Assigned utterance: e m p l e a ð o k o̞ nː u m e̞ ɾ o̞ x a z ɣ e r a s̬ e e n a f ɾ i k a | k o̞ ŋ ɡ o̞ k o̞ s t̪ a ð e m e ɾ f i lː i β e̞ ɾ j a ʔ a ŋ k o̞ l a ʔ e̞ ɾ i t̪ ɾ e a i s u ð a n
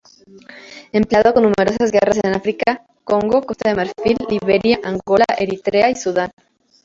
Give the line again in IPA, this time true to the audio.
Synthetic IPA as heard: e m p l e a ð o k o̞ nː u m e̞ ɾ o̞ s a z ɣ e r a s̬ e e n a f ɾ i k a | k o̞ ŋ ɡ o̞ k o̞ s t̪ a ð e m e ɾ f i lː i β e̞ ɾ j a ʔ a ŋ ɡ o̞ l a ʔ e̞ ɾ i t̪ ɾ e a i s u ð a n